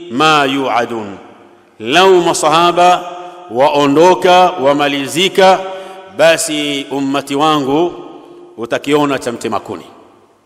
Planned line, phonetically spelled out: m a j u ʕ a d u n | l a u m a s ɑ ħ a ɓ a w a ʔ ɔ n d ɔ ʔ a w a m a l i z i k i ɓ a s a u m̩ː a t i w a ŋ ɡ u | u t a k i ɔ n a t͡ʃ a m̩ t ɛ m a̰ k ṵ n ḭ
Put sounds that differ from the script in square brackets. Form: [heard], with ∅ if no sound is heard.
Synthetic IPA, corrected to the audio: m a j u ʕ a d u n | l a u m a s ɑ [h] a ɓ a w a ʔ ɔ n d ɔ [k] a w a m a l i z i k [a] ɓ a s [i] u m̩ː a t i w a ŋ ɡ u | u t a k i ɔ n a t͡ʃ a m̩ t ɛ m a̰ k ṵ n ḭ